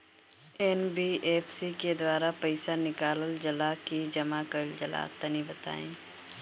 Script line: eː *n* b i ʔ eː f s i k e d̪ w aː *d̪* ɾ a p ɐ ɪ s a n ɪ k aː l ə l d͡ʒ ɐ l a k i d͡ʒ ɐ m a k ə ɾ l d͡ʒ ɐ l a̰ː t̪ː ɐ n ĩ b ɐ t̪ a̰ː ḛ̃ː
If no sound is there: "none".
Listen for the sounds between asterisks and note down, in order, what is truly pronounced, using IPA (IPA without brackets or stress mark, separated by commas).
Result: n, none